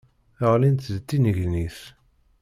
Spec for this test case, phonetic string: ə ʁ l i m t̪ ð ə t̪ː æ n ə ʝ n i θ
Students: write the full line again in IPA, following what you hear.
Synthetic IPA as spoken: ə ʁ l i n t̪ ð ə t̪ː i n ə ʝ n i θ